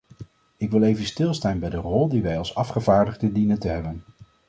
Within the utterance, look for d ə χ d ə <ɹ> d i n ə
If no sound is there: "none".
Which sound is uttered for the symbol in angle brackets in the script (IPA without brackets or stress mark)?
none